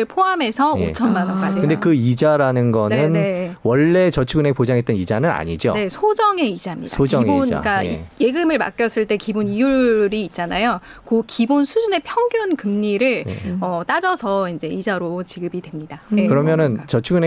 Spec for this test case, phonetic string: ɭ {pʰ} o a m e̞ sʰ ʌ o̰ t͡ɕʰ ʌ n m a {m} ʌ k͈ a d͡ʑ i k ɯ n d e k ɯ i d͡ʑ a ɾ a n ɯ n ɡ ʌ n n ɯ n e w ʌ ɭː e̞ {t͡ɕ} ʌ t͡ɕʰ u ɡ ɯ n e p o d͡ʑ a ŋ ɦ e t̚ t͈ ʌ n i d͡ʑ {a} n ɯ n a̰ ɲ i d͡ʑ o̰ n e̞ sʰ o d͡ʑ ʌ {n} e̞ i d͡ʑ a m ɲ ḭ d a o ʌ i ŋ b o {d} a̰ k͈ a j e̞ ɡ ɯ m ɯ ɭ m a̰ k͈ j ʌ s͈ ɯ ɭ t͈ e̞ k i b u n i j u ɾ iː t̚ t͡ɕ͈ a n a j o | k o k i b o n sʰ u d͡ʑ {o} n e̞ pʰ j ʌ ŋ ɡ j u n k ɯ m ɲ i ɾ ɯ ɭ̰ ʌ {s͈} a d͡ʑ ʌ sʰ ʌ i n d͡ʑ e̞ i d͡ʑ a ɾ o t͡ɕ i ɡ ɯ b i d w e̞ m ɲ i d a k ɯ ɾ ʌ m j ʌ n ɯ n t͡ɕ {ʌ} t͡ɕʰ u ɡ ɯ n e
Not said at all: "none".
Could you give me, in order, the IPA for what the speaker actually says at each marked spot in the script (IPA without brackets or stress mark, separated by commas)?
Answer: pʰ, n, t͡ɕ, a, ŋ, n, u, t͈, ʌ